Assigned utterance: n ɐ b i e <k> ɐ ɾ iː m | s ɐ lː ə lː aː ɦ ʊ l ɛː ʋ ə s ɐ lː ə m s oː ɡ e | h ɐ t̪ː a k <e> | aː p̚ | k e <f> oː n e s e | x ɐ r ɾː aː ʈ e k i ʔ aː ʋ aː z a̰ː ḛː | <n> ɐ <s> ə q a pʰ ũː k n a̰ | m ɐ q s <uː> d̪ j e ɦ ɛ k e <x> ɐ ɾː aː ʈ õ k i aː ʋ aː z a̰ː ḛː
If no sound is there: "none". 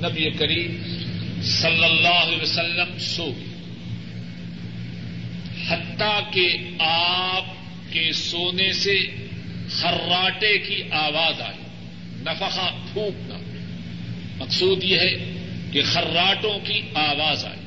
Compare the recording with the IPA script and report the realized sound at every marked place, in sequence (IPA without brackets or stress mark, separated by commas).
k, e, s, n, f, uː, x